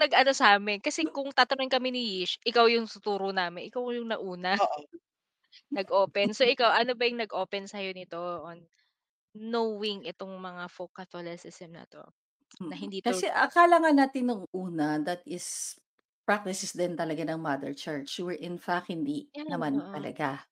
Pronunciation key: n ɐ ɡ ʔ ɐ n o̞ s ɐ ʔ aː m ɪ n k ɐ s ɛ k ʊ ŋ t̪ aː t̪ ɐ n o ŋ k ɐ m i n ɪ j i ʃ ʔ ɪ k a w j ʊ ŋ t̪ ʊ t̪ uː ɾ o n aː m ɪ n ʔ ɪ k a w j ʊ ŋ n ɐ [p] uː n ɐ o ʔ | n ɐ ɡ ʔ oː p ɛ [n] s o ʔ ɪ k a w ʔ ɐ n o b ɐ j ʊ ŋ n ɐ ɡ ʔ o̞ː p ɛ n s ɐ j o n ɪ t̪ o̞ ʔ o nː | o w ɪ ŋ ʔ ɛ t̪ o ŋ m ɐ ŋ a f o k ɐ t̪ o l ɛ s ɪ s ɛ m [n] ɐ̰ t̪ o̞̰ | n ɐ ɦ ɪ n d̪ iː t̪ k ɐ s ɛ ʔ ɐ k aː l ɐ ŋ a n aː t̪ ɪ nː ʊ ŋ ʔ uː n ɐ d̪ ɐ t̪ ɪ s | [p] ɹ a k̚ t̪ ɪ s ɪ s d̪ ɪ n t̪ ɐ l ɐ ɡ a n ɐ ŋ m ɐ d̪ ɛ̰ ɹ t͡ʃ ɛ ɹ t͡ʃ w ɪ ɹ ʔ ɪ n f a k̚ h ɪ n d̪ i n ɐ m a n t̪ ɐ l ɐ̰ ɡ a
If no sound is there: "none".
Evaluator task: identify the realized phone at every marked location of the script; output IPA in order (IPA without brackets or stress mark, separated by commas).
ʔ, n, n, p